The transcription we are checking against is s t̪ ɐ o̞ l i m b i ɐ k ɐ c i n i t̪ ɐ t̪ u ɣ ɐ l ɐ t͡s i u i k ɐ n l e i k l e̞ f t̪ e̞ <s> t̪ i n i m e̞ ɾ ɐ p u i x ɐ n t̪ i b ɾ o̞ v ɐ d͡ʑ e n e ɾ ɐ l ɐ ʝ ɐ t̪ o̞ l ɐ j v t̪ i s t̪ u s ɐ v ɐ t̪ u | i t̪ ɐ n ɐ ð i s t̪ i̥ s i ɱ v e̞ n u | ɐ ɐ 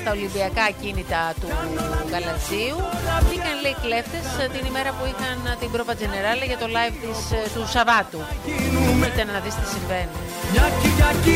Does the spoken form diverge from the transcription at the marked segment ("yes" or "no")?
no